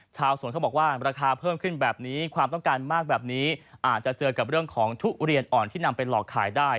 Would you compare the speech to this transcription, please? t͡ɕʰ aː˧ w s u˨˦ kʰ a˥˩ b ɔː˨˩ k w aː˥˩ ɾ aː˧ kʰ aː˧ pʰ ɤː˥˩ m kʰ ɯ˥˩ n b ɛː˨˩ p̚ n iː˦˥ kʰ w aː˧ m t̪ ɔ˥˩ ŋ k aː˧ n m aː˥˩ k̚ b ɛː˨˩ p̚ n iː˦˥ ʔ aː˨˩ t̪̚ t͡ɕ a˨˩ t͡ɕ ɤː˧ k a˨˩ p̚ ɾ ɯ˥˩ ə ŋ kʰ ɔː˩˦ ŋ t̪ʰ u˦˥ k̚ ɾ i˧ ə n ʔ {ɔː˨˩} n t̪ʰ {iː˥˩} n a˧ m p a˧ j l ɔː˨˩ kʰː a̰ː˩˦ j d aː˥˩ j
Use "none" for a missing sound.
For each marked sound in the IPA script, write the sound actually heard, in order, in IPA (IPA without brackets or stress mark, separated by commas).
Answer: ɔː˨˩, iː˥˩